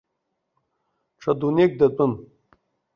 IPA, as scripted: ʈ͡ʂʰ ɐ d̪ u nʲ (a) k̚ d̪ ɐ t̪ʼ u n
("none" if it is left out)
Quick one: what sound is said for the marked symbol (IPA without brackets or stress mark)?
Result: e